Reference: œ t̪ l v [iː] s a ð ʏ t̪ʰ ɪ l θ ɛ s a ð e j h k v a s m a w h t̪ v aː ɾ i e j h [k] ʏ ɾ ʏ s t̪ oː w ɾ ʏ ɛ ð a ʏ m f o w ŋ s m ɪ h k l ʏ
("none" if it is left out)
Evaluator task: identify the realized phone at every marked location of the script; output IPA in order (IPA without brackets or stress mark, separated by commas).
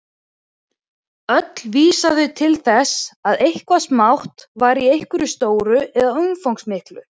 iː, k